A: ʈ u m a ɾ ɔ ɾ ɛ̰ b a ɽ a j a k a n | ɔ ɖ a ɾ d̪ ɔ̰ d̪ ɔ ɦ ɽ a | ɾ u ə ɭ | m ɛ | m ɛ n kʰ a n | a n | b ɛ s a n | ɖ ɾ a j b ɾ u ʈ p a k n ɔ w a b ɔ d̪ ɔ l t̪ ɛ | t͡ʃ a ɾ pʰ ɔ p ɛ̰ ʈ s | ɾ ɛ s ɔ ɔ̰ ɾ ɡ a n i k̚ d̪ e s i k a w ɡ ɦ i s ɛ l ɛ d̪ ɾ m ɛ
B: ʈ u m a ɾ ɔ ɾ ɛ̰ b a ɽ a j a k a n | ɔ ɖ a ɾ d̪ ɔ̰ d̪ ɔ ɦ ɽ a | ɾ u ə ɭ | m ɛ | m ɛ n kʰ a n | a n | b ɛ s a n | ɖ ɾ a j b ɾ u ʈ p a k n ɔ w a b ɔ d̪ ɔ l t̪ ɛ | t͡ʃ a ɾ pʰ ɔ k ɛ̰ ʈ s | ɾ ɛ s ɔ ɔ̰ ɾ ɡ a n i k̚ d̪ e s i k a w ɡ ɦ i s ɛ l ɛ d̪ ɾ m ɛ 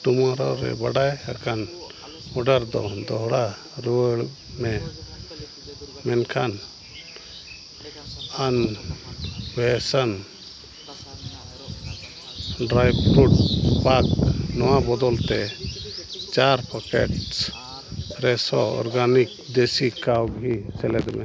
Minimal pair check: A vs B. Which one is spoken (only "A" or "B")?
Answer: B